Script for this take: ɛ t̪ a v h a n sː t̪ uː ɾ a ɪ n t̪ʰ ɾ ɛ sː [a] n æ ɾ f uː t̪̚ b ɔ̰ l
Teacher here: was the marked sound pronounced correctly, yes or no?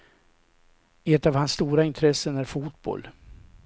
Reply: no